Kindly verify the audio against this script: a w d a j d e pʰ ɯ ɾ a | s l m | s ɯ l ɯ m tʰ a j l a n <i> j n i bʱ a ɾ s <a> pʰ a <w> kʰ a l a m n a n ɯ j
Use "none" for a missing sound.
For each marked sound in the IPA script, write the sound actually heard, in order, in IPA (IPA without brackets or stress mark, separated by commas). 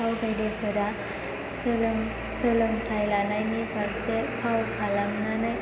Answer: a, e, w